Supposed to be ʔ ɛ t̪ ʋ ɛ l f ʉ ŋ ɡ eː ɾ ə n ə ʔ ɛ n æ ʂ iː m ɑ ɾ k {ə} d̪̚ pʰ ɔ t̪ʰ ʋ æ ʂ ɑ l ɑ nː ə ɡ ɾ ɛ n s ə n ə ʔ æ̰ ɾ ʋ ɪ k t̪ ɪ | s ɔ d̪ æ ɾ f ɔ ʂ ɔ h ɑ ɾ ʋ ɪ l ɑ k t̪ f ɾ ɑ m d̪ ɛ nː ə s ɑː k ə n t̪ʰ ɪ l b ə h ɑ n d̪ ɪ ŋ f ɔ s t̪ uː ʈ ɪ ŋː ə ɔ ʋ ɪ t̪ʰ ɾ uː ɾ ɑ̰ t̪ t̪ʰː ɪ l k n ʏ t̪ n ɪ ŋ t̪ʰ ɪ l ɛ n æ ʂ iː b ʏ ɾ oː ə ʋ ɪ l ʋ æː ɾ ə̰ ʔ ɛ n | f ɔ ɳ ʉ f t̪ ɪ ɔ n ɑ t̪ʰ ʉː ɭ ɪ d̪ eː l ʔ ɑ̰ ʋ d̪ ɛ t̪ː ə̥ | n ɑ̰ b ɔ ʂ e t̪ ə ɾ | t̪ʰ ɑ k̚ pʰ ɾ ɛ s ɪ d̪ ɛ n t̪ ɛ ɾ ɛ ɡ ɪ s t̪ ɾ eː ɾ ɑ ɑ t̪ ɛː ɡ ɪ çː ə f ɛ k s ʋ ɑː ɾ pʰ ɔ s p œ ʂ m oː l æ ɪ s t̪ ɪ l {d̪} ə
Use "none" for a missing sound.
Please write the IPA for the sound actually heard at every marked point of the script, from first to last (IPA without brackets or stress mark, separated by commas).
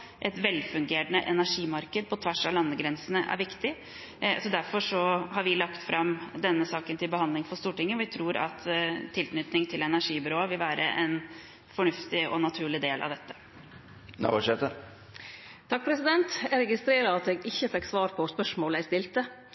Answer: ə, t̪